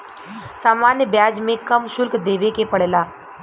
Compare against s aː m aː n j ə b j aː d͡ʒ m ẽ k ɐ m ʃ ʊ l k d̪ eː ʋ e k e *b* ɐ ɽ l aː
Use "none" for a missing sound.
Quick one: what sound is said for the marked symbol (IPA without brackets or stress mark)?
p